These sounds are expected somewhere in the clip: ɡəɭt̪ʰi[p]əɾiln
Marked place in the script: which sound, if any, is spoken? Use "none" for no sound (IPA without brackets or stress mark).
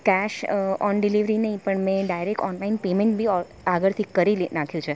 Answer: k